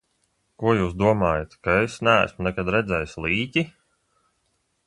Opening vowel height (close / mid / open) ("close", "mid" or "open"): close